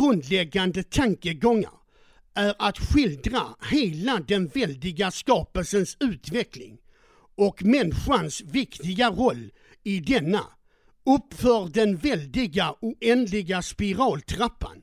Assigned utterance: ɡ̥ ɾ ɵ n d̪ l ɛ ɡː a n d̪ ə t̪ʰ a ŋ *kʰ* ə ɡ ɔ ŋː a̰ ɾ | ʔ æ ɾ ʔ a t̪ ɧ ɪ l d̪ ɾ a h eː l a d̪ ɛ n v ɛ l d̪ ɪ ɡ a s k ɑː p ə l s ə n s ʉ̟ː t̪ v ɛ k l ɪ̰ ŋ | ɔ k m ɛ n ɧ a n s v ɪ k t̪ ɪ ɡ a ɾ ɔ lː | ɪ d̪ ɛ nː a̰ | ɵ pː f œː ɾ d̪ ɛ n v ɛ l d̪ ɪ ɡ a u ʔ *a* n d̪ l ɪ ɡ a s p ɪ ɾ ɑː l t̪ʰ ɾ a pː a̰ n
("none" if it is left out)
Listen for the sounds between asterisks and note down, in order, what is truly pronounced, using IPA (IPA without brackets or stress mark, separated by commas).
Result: k, ɛ